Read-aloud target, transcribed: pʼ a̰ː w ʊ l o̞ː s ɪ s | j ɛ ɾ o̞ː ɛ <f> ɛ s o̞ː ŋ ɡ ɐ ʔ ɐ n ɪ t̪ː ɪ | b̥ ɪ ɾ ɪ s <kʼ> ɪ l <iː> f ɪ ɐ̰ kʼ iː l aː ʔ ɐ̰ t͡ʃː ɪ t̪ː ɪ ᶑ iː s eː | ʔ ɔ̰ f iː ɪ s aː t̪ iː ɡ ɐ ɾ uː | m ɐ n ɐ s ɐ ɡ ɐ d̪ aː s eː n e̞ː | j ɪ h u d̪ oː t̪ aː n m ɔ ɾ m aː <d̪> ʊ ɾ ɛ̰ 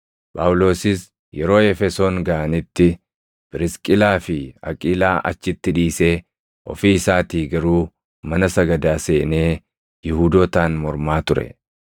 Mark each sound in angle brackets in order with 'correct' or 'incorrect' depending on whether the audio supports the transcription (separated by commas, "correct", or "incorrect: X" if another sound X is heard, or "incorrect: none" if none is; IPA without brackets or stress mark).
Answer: correct, correct, incorrect: aː, incorrect: t̪